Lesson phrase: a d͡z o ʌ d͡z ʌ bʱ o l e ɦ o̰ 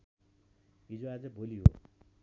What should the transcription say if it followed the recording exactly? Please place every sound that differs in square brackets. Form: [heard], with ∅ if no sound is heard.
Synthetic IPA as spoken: [i] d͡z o [a] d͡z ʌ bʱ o l [i] ɦ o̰